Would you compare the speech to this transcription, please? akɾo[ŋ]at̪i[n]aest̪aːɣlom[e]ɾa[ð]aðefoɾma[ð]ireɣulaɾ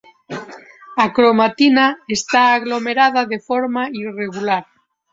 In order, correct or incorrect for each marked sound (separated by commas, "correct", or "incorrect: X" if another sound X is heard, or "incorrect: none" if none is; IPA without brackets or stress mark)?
incorrect: m, correct, correct, correct, incorrect: none